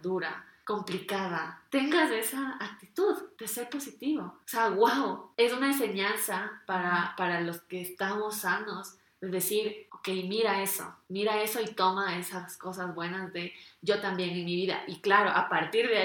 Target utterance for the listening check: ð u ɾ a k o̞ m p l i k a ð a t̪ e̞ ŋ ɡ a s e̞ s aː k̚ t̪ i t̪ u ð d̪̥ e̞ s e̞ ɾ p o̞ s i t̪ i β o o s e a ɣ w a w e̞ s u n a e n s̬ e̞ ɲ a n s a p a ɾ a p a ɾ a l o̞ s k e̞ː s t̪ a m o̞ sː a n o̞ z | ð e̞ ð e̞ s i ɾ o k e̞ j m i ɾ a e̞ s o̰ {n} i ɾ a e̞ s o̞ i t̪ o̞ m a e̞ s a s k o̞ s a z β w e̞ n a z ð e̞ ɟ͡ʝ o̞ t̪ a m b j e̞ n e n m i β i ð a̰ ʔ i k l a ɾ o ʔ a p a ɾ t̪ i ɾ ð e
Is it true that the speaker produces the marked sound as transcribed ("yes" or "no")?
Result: no